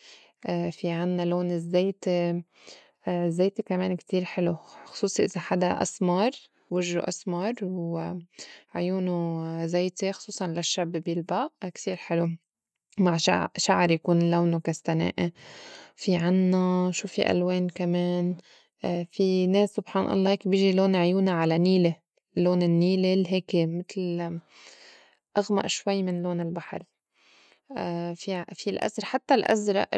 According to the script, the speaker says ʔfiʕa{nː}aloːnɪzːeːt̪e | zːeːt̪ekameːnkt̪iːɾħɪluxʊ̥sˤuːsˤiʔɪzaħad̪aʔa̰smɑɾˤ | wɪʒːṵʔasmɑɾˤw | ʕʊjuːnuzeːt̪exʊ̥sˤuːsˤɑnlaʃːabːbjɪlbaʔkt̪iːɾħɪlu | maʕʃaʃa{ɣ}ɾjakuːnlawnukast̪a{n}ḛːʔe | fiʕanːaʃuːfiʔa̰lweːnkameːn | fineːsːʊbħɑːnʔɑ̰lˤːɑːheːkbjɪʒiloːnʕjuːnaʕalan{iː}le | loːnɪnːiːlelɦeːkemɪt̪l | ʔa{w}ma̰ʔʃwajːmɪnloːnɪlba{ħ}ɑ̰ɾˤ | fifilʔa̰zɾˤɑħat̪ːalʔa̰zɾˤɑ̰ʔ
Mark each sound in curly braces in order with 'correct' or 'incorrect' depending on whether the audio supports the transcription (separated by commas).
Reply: correct, incorrect, correct, correct, incorrect, correct